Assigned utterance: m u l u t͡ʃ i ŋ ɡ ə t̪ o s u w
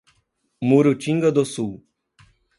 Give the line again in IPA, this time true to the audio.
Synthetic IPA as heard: m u ɾ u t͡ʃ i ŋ ɡ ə d̪ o s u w